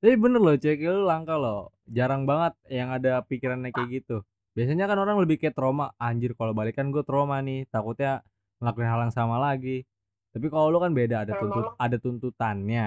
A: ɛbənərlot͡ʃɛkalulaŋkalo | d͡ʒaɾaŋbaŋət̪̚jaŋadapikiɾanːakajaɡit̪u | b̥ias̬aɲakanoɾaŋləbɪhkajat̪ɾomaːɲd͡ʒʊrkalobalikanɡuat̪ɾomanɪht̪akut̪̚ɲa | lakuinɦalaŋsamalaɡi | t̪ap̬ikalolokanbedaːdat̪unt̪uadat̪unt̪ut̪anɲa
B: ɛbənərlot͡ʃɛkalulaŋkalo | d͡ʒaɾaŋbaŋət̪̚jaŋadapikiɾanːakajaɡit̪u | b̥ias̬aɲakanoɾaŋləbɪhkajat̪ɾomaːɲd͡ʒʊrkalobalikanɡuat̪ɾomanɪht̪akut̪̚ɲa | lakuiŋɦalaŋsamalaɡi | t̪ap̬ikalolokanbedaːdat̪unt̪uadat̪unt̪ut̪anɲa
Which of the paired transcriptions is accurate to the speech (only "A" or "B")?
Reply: A